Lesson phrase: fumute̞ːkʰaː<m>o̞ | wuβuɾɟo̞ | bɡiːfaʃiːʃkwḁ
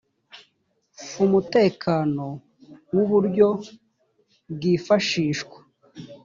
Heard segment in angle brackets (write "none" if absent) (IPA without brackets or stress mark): n